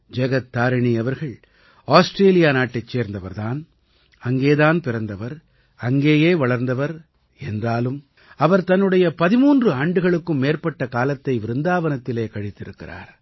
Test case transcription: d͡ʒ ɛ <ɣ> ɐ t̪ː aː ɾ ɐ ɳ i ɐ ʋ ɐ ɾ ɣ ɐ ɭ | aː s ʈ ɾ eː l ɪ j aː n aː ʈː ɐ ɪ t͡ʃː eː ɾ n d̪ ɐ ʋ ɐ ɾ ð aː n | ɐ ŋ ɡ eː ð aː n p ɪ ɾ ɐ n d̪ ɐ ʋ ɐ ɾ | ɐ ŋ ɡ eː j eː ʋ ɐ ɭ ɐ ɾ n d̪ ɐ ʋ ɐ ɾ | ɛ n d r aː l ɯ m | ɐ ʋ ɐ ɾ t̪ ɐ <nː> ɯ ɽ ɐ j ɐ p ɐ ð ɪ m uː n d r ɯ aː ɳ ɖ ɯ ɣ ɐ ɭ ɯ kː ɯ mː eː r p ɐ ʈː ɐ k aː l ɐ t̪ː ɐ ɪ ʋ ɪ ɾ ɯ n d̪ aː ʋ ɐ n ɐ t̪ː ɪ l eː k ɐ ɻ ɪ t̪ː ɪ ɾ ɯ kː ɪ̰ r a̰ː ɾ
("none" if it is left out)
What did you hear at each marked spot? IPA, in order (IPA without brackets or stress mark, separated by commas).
ɣ, nː